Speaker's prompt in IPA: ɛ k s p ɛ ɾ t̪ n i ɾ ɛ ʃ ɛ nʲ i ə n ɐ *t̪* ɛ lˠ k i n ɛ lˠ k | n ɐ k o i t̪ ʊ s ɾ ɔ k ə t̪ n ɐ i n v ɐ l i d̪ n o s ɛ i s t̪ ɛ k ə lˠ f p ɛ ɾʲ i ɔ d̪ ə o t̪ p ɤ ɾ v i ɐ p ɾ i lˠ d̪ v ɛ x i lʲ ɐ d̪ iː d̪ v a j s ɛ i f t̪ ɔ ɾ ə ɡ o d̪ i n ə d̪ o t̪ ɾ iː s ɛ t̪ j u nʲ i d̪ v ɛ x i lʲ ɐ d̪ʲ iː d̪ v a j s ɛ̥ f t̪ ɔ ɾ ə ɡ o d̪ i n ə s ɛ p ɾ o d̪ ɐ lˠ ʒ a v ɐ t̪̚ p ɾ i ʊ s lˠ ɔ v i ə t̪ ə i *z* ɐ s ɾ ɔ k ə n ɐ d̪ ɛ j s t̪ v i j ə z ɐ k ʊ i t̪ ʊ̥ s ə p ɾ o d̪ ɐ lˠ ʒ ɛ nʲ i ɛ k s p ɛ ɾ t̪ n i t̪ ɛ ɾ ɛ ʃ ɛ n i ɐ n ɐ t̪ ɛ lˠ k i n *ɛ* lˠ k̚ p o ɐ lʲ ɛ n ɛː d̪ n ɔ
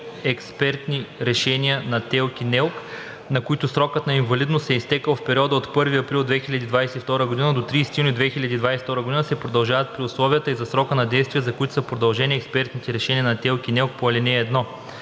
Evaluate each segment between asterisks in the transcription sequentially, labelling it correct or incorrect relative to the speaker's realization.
correct, correct, correct

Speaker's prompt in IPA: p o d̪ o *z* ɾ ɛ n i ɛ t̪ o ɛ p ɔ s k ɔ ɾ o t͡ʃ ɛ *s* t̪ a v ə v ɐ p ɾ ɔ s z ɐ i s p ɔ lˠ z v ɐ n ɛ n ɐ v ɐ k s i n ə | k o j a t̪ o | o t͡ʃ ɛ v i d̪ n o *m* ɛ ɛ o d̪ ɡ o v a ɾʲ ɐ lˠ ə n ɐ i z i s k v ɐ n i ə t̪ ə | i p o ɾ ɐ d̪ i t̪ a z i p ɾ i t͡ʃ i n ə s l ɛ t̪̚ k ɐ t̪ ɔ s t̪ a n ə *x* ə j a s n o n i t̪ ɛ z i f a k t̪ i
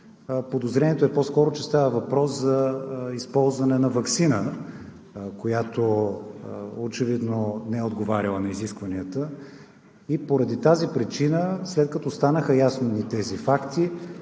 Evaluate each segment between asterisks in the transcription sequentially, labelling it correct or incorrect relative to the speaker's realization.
correct, correct, incorrect: n, correct

